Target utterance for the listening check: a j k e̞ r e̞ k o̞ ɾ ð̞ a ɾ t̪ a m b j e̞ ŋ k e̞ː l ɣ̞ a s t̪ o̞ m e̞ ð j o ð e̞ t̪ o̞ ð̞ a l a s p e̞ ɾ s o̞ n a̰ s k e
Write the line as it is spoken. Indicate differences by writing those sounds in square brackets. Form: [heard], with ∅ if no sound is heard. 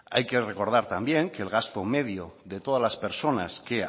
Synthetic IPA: a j k e̞ r e̞ k o̞ ɾ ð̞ a ɾ t̪ a m b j e̞ ŋ k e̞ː l ɣ̞ a s t̪ o̞ m e̞ ð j o ð e̞ t̪ o̞ ð̞ a l a s p e̞ ɾ s o̞ n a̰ s k e